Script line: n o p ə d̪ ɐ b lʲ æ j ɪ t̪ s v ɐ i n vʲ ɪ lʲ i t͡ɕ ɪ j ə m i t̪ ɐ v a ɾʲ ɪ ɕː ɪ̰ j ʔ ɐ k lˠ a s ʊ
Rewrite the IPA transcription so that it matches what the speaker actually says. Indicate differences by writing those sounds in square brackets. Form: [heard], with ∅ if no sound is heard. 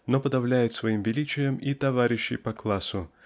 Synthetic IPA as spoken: n o p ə d̪ ɐ [v] lʲ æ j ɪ t̪ s v ɐ i [m] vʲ ɪ lʲ i t͡ɕ ɪ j ə m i t̪ ɐ v a ɾʲ ɪ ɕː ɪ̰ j [p] ɐ k lˠ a s ʊ